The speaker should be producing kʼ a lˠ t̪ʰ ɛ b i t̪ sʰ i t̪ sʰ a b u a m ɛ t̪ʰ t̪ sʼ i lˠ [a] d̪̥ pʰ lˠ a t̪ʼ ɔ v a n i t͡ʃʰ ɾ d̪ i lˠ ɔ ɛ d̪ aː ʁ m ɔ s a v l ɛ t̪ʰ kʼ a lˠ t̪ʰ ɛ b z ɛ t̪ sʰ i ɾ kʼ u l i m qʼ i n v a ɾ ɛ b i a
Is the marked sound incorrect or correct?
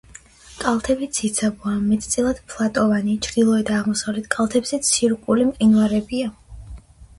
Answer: correct